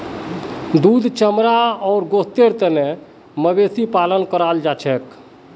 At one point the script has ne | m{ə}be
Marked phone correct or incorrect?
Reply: correct